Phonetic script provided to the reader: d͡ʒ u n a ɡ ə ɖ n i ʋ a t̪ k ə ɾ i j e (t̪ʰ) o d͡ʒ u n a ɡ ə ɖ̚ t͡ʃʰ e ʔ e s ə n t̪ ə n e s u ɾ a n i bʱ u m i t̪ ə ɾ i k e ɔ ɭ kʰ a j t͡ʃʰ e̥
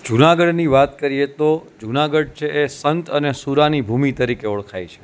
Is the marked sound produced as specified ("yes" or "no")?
no